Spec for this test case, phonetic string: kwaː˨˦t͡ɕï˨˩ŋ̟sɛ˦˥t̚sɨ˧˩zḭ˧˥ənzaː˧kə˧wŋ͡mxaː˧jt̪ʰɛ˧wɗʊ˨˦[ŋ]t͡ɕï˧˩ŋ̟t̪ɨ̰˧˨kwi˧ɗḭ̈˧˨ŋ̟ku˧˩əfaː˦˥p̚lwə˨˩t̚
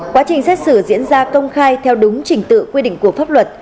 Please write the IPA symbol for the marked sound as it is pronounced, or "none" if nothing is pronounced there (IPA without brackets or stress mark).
ŋ͡m